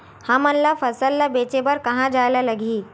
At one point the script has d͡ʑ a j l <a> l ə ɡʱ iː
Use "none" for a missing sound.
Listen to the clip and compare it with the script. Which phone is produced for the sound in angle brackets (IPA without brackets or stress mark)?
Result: a